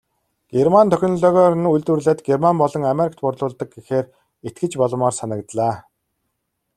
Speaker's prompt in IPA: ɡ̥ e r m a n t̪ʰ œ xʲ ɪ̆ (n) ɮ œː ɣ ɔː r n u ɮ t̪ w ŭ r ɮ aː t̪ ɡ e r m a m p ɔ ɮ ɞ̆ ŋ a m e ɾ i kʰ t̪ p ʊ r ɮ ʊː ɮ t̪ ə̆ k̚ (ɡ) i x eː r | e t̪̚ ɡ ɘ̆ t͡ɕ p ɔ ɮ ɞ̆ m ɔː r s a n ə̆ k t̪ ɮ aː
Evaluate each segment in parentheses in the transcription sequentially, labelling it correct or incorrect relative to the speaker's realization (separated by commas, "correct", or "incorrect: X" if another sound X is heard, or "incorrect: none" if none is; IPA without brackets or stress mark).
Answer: correct, correct